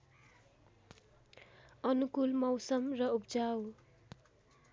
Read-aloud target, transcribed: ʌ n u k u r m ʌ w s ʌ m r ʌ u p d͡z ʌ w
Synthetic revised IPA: ʌ n u k u l m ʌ w s ʌ m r ʌ u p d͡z a w